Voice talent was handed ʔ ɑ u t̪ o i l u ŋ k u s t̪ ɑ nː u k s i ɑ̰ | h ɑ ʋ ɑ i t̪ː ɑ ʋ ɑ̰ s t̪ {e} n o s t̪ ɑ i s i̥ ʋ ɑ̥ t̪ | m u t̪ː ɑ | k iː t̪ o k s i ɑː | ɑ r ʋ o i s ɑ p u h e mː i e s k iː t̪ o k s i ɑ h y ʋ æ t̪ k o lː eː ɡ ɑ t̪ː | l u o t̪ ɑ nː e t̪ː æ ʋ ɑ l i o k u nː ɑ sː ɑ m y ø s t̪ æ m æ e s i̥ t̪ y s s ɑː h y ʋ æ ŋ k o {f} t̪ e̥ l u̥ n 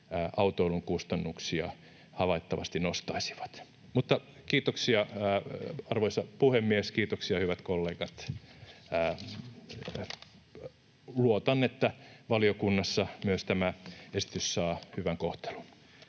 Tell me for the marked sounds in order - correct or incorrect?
incorrect: i, incorrect: h

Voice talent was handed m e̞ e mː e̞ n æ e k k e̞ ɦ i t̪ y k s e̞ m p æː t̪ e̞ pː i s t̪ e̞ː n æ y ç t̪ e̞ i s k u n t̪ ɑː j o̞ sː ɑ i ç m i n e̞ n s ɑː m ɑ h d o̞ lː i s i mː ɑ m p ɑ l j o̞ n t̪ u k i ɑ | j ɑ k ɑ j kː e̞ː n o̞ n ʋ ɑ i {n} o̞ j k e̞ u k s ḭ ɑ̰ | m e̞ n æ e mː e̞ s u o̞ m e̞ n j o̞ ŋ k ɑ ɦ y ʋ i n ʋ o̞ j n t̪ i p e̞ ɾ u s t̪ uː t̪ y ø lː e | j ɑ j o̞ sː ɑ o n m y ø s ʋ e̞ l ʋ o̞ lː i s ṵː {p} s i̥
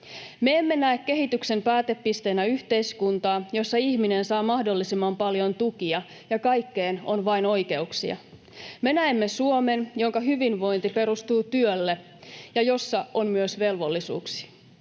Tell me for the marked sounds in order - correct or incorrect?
correct, incorrect: k

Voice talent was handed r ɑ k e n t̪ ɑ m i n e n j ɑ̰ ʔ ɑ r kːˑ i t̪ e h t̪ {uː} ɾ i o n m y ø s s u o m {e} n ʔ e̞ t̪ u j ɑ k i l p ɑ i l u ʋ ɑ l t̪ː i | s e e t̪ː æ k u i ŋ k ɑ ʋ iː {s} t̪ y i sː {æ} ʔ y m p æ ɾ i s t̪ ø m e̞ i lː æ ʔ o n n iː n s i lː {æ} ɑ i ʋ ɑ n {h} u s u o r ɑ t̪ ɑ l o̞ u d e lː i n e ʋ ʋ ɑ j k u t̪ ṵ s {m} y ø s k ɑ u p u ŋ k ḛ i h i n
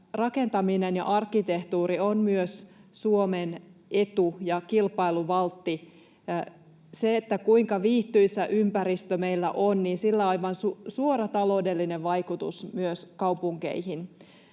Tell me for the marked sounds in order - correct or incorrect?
correct, correct, incorrect: h, correct, correct, incorrect: s, correct

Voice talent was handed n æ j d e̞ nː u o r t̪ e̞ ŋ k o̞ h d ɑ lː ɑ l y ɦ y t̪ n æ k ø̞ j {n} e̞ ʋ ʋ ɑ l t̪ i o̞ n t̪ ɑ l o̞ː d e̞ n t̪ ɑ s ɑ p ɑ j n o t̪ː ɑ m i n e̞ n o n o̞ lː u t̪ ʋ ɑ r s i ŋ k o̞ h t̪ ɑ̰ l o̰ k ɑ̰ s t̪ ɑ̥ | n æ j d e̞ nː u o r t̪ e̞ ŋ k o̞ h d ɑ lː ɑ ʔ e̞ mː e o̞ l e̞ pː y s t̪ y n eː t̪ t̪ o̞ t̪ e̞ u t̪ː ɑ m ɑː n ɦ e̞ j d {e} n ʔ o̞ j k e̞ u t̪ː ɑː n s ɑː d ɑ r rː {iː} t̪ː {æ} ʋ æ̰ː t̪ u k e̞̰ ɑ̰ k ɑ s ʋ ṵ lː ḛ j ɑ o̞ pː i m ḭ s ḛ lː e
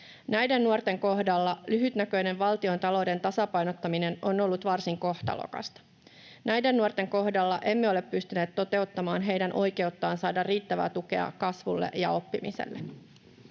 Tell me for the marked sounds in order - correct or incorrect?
correct, incorrect: æ, correct, correct

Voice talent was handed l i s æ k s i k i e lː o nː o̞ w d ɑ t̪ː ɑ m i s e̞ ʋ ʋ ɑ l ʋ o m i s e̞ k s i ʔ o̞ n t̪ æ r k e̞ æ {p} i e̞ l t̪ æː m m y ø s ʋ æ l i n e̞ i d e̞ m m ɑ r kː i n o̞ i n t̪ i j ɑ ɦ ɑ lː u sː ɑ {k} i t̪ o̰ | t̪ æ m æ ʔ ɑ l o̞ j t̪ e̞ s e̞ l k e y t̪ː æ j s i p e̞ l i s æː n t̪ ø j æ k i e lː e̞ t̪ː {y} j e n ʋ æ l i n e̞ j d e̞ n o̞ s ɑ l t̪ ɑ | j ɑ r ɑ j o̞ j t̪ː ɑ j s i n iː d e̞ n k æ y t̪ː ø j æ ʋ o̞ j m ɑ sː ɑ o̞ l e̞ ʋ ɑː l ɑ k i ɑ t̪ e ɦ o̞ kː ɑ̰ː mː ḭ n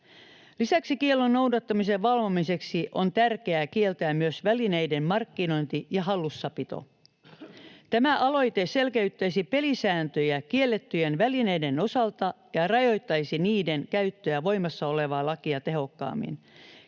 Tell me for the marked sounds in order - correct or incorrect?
incorrect: k, incorrect: p, correct

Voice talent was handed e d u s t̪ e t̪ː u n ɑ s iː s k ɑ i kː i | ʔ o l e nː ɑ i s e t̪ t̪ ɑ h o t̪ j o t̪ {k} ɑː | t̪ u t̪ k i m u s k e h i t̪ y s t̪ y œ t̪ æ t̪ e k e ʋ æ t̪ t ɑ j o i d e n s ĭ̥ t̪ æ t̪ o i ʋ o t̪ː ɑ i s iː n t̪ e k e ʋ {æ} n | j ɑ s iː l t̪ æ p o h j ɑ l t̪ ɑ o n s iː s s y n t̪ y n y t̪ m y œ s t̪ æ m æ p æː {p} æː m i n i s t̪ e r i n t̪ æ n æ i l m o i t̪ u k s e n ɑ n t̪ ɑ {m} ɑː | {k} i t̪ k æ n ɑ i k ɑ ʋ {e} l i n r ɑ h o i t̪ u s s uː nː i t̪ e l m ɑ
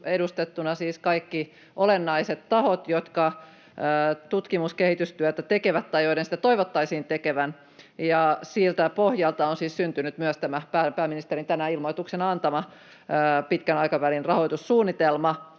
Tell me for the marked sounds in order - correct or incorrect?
correct, correct, correct, correct, incorrect: p, incorrect: æ

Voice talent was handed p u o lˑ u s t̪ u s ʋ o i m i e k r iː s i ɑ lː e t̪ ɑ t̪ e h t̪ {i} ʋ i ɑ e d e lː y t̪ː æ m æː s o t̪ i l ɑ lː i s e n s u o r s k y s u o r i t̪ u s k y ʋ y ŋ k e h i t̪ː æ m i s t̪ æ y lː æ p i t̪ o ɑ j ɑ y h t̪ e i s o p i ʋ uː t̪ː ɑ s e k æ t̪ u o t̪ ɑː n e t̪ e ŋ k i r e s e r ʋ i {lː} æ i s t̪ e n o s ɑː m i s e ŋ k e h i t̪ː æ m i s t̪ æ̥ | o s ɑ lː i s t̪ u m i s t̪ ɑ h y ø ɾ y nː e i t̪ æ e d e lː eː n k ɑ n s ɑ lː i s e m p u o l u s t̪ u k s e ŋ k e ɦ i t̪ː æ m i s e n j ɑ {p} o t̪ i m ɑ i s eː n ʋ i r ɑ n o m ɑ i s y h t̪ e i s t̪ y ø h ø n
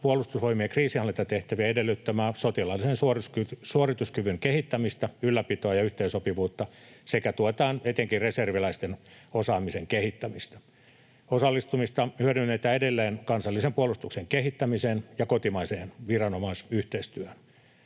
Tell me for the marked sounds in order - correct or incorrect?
incorrect: æ, incorrect: l, incorrect: k

